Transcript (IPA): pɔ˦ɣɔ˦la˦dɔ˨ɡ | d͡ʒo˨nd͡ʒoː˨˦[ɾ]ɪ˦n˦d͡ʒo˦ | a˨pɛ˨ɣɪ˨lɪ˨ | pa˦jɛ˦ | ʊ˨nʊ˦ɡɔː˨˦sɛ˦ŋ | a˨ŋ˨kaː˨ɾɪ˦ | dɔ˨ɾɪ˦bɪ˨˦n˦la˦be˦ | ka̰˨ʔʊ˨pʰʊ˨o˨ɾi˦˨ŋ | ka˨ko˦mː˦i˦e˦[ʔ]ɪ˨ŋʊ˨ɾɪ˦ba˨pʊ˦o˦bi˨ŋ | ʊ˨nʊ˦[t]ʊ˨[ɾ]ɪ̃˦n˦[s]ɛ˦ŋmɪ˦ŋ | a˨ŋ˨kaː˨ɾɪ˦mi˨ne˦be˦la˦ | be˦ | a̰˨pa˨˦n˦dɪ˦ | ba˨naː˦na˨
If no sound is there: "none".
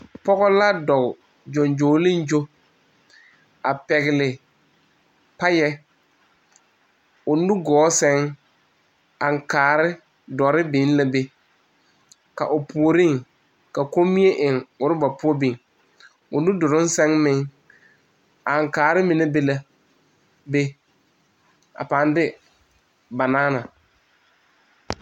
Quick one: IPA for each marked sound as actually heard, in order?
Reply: l, ʔ, d, ɾ, s

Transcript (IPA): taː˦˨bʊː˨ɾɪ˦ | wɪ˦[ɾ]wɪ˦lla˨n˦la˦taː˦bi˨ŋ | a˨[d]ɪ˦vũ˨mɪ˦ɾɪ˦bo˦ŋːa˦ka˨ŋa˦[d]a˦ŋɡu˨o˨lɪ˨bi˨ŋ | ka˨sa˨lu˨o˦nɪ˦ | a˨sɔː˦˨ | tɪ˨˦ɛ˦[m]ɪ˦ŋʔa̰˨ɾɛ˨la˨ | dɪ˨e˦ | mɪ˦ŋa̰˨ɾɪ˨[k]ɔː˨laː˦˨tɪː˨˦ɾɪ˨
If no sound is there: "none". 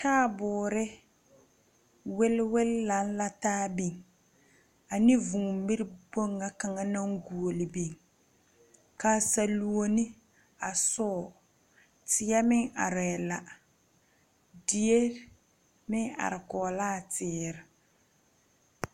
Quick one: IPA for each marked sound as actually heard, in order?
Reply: l, n, n, m, k

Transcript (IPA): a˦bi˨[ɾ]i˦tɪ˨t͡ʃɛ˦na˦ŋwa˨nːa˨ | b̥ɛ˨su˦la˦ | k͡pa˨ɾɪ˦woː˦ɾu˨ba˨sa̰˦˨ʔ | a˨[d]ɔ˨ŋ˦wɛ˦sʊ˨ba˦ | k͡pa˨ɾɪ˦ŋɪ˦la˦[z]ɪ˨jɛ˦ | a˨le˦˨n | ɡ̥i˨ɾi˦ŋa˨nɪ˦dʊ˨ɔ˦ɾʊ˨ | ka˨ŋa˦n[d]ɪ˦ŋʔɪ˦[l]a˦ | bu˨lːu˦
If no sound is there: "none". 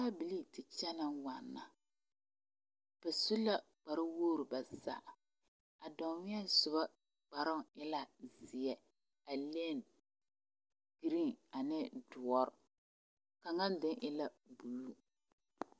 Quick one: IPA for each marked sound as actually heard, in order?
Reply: l, d, z, d, l

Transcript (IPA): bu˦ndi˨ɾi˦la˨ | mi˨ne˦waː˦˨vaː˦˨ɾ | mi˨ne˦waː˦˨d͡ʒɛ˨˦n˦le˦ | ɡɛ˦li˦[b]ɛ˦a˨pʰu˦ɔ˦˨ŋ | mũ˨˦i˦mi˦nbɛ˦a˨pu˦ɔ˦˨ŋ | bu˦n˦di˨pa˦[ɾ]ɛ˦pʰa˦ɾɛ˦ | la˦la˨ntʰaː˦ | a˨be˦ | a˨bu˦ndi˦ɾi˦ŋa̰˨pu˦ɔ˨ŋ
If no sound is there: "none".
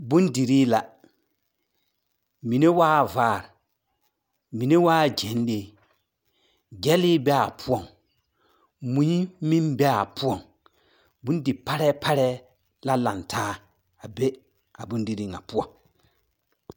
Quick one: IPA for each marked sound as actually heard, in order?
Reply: b, ɾ

